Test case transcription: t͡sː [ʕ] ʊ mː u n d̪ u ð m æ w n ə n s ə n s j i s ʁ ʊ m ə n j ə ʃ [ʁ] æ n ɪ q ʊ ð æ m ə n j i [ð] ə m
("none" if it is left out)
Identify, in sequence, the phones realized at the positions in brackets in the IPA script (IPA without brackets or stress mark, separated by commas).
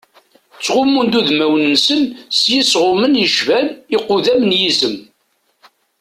ʁ, v, z